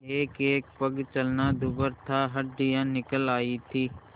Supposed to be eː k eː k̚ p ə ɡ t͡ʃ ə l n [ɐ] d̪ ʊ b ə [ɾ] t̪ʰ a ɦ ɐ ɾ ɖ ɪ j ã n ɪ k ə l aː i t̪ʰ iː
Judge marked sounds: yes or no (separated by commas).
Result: no, yes